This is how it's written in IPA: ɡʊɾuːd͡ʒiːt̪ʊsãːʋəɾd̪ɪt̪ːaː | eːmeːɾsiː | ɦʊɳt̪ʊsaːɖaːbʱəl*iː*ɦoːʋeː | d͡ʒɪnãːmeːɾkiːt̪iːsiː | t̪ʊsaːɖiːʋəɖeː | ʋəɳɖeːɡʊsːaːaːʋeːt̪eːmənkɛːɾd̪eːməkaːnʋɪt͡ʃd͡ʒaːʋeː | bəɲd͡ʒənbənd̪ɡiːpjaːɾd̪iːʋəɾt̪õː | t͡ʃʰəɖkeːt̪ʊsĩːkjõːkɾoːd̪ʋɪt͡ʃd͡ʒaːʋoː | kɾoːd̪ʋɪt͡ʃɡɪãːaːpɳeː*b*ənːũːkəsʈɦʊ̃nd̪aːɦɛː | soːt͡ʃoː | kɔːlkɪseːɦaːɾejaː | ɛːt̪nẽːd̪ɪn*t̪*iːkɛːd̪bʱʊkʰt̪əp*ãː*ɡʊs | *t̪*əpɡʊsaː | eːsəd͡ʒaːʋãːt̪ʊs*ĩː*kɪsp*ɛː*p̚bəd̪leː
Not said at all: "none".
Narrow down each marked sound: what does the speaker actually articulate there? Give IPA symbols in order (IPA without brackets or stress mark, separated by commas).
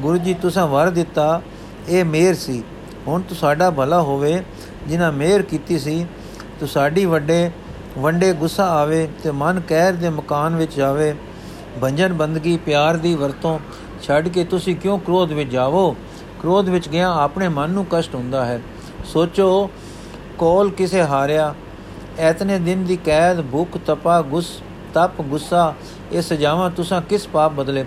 aː, m, d̪, aː, t̪, ãː, aː